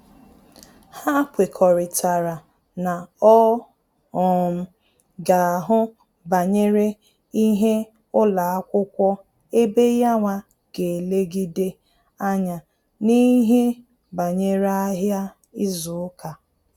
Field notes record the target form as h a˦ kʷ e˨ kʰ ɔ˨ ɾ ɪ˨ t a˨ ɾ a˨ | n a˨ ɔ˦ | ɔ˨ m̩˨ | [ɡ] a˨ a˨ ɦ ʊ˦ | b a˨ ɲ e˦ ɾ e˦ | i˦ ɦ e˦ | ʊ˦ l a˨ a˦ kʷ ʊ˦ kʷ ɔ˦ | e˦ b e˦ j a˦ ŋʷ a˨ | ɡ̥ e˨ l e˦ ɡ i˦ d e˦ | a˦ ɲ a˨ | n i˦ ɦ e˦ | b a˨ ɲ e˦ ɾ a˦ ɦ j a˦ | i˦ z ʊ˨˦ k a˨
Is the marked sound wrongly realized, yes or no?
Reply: no